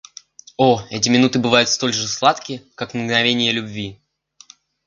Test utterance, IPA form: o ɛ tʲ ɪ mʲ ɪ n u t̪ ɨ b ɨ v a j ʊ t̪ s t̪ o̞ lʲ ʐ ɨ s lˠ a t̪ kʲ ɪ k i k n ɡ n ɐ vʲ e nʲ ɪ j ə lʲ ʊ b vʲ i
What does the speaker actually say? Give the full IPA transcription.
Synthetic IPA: o ɛ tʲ ɪ mʲ ɪ n u t̪ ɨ b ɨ v a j ʊ t̪ s t̪ o̞ lʲ ʐ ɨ s lˠ a t̪ kʲ ɪ k a k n ɡ n ɐ vʲ e nʲ ɪ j ə lʲ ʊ b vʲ i